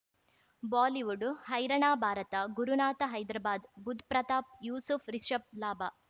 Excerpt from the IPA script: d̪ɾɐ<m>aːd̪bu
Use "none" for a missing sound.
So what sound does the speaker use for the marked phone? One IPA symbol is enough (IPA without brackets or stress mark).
b